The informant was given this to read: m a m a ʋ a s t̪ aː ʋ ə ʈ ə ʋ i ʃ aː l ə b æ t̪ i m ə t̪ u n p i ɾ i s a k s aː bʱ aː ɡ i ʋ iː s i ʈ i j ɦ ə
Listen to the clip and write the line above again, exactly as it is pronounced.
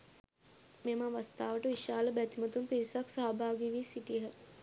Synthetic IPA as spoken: m e m a ʋ a s t̪ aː ʋ ə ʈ ə ʋ i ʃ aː l ə b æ t̪ i m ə t̪ u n p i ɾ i s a k s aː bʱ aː ɡ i ʋ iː s i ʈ i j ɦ ə